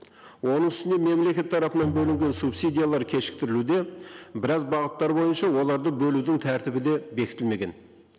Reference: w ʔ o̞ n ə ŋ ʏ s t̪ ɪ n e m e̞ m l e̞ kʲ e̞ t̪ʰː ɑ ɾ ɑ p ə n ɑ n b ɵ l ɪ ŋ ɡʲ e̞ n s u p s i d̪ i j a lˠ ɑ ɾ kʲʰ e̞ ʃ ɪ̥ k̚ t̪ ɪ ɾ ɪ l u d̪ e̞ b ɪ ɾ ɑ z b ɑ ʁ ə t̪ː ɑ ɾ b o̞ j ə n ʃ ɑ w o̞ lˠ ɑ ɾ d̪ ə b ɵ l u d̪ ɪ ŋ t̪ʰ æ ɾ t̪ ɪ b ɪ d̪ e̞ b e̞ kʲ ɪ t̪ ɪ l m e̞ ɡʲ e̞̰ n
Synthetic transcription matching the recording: w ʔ o̞ n ə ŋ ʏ s t̪ ɪ n e m e̞ m l e̞ kʲ e̞ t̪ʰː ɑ ɾ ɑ p ə n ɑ n b ɵ l ɪ ŋ ɡʲ e̞ n s u p s i d̪ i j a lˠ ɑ ɾ kʲʰ e̞ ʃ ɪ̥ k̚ t̪ ɪ ɾ ɪ l u d̪ e̞ b ɪ ɾ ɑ z b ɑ ʁ ə t̪ː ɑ ɾ b o̞ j ə n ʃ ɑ w o̞ lˠ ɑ ɾ d̪ ə b ɵ l u d̪ ɪ ŋ t̪ʰ æ ɾ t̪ ɪ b ɪ d̪ e̞ b e̞ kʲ ɪ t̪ ɪ l m e̞ ɡʲ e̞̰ n